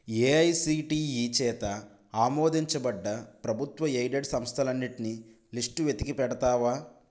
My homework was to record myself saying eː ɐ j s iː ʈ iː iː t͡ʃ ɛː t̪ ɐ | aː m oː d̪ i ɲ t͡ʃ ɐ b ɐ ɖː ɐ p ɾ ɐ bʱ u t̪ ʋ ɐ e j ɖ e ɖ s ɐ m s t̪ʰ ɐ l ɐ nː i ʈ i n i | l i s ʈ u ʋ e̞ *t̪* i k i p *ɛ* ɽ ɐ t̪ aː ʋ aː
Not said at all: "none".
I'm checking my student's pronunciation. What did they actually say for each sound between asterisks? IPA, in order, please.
t̪, ɛ

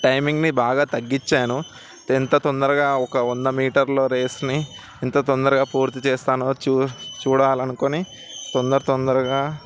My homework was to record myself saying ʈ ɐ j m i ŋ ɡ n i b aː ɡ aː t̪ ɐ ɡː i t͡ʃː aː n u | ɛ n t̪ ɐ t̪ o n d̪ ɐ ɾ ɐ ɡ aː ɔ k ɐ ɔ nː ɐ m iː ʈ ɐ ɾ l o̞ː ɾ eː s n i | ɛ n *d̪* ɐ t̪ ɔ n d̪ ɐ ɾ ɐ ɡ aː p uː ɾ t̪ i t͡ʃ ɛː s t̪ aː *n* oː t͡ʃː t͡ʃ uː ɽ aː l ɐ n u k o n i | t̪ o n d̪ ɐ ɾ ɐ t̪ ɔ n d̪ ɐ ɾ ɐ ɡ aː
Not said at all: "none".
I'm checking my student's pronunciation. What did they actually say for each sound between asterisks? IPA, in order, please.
t̪, n

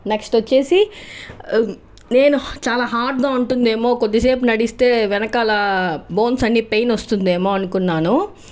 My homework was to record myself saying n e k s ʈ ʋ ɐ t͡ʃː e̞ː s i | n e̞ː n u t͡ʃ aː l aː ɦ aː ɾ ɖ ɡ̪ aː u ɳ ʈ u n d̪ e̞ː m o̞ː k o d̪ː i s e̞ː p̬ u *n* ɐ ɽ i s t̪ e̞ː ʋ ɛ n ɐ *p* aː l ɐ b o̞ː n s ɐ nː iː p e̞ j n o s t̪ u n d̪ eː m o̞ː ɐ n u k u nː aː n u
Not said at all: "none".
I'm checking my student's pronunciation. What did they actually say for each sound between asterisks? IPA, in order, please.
n, k

